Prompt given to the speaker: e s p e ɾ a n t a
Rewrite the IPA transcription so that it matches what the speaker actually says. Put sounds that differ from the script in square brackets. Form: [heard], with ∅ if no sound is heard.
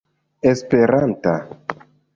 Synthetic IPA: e s p e ɾ a n t a